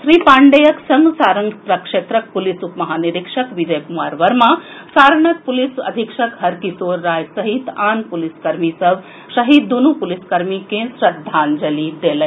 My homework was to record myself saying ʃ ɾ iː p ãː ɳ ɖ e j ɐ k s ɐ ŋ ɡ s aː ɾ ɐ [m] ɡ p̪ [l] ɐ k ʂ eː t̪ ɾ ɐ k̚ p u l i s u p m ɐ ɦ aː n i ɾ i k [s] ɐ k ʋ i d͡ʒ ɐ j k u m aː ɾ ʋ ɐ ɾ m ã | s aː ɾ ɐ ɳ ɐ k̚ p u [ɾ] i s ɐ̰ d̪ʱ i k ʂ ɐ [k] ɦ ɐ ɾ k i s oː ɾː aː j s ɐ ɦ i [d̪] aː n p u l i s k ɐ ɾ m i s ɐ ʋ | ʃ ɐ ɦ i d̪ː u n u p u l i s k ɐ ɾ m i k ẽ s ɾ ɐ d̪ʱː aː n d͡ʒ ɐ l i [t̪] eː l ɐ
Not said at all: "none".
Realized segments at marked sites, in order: ŋ, ɾ, ʂ, l, k, t̪, d̪

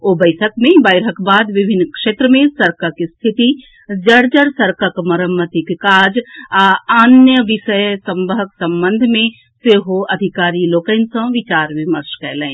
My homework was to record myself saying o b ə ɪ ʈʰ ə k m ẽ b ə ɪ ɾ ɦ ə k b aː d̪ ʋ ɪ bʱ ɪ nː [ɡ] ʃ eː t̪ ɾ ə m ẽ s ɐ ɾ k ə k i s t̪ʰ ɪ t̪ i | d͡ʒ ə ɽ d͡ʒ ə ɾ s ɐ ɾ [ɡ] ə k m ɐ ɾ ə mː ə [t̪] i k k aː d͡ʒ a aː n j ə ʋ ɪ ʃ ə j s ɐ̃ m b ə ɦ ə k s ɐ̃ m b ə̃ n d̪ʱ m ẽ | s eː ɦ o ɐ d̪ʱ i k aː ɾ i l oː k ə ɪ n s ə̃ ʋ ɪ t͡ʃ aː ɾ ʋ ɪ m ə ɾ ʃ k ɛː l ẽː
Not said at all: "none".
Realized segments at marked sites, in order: k, k, t̪

